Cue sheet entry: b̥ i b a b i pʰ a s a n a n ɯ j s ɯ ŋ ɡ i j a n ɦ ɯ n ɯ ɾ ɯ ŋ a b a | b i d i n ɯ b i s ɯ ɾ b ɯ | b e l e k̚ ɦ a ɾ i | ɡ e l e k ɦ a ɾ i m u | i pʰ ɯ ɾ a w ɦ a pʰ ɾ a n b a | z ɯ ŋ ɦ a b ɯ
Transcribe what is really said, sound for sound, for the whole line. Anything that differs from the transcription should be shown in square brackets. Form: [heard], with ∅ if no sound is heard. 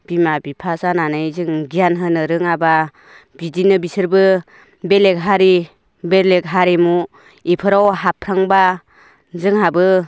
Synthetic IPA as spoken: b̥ i [m] a b i pʰ a s a n a n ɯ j [z] ɯ ŋ ɡ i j a n ɦ ɯ n ɯ ɾ ɯ ŋ a b a | b i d i n ɯ b i s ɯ ɾ b ɯ | b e l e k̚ ɦ a ɾ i | [b] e l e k ɦ a ɾ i m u | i pʰ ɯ ɾ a w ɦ a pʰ ɾ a [ŋ] b a | z ɯ ŋ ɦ a b ɯ